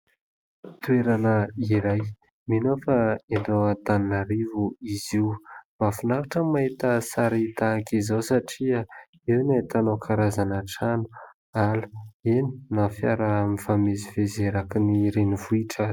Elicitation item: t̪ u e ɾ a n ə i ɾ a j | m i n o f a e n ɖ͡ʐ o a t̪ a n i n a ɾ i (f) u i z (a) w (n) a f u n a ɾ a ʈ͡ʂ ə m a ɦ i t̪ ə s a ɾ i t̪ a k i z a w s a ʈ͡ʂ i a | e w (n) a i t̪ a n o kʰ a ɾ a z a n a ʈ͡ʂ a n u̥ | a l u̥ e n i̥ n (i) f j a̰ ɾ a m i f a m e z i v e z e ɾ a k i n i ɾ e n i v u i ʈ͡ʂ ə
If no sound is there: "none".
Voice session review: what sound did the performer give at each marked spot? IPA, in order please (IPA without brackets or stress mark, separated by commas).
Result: v, i, m, n, a